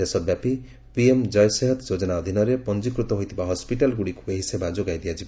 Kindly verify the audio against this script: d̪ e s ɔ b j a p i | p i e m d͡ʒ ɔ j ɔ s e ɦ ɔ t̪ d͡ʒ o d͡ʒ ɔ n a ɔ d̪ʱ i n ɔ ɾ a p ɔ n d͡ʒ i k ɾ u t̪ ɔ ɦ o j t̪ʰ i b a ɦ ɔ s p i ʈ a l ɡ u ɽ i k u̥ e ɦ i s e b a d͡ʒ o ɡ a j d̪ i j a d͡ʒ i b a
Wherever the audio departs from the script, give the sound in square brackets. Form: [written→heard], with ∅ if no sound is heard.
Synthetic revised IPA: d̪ e s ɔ b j a p i | p i e m d͡ʒ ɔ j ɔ s e ɦ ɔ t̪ d͡ʒ o d͡ʒ ɔ n a ɔ d̪ʱ i n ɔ ɾ [a→e] p ɔ n d͡ʒ i k ɾ u t̪ ɔ ɦ o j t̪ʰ i b a ɦ ɔ s p i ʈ a l ɡ u ɽ i k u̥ e ɦ i s e b a d͡ʒ o ɡ a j d̪ i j a d͡ʒ i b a